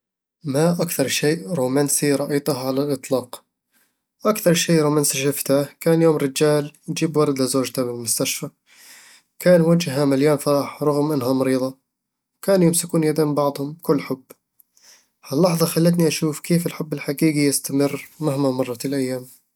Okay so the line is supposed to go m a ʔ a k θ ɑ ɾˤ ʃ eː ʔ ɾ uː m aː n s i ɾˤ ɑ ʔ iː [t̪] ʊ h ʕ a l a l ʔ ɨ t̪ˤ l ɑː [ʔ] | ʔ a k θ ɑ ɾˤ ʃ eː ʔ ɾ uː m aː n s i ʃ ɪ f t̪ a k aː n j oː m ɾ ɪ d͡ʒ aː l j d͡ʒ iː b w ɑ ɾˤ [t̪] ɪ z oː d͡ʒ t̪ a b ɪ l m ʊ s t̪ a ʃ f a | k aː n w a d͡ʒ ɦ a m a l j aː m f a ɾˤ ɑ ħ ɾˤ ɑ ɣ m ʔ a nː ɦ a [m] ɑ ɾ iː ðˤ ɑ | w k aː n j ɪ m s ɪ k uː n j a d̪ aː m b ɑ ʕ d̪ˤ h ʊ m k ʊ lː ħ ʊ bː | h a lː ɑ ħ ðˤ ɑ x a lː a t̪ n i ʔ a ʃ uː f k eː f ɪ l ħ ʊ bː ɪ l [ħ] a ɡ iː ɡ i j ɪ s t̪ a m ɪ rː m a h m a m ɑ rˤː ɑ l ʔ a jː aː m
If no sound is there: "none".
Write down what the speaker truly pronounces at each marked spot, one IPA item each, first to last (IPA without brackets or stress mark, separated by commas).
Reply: t̪, q, d̪, m, ħ